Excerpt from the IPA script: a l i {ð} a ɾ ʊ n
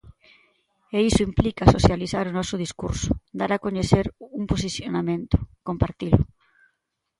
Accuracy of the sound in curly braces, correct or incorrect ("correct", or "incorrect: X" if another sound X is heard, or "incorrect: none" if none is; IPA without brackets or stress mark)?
incorrect: θ